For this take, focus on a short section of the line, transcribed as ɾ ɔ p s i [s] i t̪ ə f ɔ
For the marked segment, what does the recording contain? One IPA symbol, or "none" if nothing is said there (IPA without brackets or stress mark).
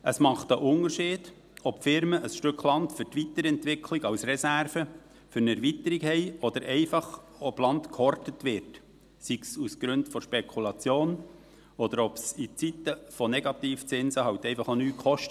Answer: t͡s